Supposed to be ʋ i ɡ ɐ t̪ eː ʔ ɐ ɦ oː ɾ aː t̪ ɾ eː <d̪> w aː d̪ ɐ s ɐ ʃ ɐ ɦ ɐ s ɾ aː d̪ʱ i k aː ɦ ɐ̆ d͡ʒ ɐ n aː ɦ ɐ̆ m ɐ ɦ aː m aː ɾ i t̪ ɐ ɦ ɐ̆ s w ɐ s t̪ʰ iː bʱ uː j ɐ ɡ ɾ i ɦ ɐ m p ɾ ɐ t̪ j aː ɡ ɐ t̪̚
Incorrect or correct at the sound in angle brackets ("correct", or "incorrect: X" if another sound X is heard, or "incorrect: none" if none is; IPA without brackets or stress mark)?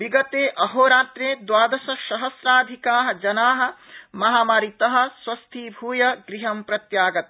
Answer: correct